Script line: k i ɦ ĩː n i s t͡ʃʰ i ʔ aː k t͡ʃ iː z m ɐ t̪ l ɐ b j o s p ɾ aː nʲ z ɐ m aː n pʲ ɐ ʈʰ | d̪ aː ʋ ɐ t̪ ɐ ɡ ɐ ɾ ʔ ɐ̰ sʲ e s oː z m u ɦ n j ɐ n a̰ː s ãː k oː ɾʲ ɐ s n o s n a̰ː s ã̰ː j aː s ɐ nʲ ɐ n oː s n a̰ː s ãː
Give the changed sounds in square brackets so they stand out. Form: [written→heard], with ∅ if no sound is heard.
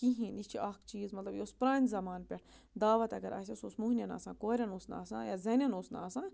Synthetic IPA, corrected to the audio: k i ɦ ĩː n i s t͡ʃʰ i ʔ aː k t͡ʃ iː z m ɐ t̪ l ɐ b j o s p ɾ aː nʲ z ɐ m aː n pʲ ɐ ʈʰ | d̪ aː ʋ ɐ t̪ ɐ ɡ ɐ ɾ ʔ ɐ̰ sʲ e s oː [z→s] m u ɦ n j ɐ n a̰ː s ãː k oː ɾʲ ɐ [s→∅] n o s n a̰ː s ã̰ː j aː [s→z] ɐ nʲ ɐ n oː s n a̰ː s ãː